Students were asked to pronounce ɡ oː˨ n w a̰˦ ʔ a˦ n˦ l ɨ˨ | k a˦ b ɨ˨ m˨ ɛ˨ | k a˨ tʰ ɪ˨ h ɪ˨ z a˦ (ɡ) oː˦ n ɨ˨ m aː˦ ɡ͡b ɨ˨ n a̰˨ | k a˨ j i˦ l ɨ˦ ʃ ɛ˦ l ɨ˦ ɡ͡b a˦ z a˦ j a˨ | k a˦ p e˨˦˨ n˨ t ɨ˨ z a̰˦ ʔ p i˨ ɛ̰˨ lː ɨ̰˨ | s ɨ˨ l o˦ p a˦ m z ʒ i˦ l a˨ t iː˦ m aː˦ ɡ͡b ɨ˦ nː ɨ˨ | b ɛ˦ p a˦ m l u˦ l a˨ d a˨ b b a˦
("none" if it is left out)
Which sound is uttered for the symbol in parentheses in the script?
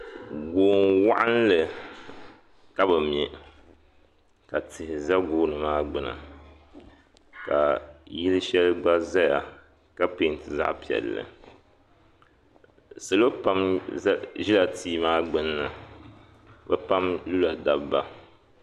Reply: ɡ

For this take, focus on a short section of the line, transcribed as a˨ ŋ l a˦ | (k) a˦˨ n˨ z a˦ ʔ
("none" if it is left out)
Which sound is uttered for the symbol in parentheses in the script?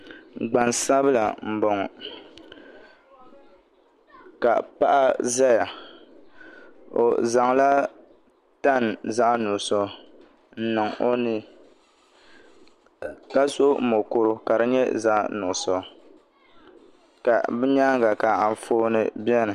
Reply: t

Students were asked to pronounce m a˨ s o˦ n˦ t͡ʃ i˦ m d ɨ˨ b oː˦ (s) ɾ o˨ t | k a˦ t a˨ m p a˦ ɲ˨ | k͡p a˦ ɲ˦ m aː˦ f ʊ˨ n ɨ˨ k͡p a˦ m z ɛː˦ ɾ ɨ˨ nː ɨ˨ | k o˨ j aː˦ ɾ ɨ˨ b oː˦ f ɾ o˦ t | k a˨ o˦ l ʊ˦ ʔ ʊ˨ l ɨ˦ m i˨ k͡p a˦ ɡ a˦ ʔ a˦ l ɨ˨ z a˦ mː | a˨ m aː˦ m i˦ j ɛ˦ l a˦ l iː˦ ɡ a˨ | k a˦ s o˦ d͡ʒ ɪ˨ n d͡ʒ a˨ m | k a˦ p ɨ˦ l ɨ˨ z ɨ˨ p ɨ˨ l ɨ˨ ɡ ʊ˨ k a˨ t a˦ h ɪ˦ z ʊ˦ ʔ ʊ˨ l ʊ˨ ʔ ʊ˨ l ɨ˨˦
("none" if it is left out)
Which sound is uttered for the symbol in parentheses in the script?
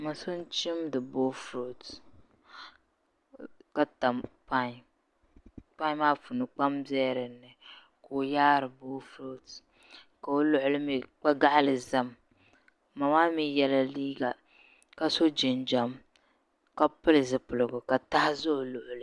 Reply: f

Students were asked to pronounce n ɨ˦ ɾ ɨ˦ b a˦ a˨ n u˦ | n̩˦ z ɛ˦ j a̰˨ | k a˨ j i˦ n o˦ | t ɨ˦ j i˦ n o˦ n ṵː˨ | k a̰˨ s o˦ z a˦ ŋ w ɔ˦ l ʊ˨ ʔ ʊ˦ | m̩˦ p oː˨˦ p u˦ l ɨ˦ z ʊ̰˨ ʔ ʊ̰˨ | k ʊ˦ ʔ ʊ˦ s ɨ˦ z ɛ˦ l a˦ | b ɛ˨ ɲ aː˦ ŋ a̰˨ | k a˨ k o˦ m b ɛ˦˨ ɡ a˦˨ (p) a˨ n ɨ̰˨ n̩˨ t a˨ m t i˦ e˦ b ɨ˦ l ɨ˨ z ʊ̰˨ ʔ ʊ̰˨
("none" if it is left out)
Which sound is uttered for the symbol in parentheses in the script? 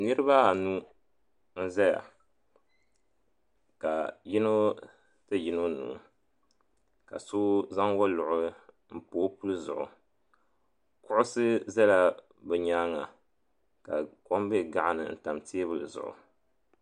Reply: ʔ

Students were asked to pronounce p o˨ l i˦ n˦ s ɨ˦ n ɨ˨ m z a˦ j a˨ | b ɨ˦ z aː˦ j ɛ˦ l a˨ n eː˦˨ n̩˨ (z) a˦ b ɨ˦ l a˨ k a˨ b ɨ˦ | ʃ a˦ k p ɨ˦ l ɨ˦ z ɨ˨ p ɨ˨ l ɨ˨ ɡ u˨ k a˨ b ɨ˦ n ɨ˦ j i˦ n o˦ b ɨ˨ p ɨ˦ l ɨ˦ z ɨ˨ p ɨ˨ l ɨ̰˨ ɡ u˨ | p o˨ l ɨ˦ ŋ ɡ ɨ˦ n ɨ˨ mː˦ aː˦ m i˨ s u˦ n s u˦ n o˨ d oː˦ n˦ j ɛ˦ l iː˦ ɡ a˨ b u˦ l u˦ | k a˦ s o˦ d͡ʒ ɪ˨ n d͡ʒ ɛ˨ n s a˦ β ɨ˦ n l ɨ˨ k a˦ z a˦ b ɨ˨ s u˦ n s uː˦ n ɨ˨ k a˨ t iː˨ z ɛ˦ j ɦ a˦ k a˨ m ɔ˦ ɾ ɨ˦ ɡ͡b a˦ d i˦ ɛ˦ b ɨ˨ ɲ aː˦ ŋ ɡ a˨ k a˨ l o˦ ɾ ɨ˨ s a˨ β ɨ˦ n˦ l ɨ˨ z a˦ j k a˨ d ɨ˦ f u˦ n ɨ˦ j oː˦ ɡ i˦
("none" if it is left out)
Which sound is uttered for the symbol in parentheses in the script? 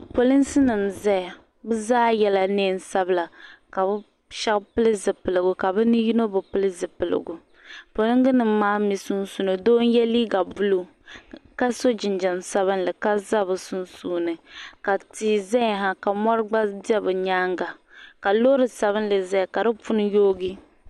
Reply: s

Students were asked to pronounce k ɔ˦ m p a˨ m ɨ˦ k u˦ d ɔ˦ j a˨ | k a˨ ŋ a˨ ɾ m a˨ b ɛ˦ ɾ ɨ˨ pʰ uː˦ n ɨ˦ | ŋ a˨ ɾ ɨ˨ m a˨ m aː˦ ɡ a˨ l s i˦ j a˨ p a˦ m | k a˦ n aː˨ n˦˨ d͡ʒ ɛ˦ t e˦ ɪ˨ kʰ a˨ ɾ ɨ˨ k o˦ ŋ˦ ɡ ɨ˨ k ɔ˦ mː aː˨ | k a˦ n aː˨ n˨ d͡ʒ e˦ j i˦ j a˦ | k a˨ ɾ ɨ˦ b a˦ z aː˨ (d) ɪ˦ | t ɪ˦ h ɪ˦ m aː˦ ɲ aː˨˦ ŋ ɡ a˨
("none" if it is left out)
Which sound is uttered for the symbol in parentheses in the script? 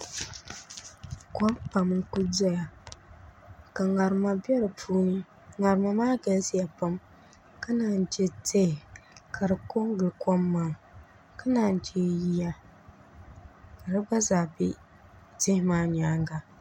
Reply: b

